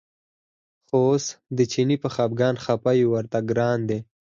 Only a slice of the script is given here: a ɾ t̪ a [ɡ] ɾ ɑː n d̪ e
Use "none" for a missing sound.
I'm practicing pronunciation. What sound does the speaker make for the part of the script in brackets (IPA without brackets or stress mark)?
ɡ